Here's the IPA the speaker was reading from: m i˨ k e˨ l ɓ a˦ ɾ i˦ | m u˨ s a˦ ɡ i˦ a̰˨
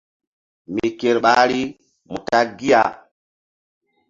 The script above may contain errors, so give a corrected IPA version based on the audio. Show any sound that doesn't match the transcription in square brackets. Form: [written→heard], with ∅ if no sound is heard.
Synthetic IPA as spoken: m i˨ k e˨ [l→ɾ] ɓ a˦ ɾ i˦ | m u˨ [s→t] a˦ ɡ i˦ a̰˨